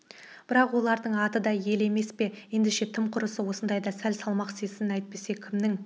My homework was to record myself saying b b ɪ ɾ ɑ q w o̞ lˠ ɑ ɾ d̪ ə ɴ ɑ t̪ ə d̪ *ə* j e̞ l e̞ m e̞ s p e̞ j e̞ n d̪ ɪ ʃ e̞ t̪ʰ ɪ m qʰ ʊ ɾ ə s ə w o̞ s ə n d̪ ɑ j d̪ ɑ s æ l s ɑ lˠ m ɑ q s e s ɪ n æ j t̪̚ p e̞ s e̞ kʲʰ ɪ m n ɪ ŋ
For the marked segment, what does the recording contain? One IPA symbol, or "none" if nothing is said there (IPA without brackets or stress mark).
ɑ